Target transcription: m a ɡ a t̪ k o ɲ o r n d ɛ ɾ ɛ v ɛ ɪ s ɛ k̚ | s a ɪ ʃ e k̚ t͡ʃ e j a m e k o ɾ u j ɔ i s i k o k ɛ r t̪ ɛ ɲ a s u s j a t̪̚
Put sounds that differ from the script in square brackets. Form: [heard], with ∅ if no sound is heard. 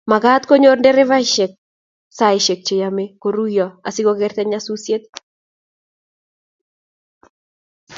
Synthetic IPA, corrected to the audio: m a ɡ a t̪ k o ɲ o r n d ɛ ɾ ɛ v [a] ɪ [ʃ] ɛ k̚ | s a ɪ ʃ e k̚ t͡ʃ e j a m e k o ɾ u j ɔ [a] s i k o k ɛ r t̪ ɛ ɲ a s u s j [e] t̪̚